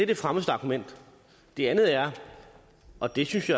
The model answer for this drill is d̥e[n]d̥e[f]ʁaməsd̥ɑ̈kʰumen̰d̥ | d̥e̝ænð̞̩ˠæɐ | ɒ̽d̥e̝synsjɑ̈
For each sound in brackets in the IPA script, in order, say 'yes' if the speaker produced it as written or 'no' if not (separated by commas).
no, yes